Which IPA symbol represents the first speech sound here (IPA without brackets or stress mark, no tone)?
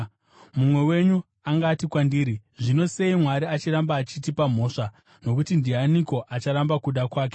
m